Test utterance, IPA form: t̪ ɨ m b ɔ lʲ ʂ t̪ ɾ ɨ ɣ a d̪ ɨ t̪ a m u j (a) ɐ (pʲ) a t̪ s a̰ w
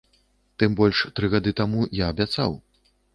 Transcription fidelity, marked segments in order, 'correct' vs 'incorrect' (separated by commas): correct, incorrect